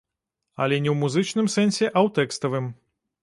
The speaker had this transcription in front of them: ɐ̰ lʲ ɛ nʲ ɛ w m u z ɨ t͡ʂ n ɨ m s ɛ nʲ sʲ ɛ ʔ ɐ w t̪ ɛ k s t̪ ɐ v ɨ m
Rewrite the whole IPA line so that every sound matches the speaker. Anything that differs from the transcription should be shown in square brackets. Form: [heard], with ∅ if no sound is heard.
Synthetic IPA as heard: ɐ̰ lʲ ɛ nʲ ɛ w m u z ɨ t͡ʂ n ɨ m s ɛ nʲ sʲ ɛ ʔ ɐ w t̪ ɛ k s t̪ ɐ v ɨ m